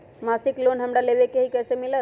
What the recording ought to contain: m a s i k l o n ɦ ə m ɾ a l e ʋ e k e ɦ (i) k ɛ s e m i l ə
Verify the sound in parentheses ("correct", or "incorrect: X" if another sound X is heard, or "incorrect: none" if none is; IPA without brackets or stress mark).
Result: correct